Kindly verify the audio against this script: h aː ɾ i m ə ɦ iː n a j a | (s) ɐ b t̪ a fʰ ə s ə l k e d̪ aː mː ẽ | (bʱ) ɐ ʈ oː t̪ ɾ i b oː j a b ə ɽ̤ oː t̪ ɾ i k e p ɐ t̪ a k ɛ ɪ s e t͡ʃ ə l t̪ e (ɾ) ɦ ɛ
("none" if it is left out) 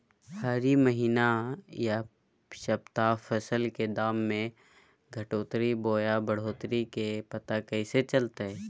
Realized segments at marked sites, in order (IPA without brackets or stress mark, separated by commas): ʃ, ɡʱ, none